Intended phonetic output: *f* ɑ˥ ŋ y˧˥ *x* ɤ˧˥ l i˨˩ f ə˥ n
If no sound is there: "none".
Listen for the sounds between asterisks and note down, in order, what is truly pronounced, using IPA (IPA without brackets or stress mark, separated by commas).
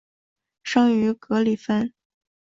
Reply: ʂ, k